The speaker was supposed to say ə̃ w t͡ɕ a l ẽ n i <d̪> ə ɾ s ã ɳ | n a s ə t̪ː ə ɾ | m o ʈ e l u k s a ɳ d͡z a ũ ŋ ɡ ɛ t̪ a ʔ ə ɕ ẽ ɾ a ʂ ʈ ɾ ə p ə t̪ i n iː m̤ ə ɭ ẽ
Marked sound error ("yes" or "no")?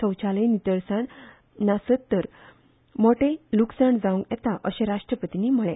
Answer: yes